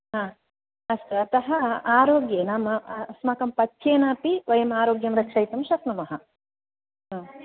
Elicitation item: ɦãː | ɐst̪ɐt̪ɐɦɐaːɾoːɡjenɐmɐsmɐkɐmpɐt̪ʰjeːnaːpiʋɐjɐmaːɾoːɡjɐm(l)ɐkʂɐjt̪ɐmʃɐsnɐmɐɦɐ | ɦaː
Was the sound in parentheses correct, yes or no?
no